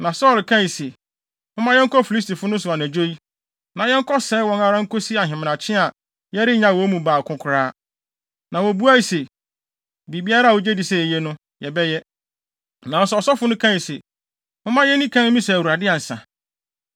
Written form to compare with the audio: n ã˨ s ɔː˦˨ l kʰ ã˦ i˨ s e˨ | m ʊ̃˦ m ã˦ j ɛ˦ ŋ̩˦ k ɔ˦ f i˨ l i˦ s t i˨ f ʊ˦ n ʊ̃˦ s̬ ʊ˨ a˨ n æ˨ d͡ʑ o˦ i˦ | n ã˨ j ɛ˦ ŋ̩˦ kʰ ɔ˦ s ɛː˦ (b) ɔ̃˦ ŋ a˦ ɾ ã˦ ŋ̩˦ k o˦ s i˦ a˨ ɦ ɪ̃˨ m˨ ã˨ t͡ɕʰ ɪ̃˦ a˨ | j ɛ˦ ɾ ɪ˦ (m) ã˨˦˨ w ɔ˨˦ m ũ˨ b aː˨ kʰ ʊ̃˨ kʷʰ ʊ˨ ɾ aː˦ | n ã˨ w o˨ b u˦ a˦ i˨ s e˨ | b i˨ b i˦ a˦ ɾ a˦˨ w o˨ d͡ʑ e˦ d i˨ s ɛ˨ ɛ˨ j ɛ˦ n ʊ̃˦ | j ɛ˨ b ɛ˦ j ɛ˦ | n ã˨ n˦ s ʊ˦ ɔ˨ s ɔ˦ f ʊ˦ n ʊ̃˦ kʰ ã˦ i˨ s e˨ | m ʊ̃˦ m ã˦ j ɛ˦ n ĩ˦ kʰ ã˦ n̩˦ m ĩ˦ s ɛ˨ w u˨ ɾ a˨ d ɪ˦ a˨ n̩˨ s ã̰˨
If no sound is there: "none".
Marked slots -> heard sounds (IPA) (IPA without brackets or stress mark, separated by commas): w, ɲ